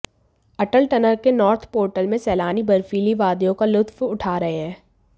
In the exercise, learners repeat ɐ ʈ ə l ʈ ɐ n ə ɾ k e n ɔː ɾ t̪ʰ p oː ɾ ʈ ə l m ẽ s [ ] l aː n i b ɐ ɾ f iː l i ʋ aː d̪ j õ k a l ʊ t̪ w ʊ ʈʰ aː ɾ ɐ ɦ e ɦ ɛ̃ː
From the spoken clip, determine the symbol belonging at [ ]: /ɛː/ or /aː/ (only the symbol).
ɛː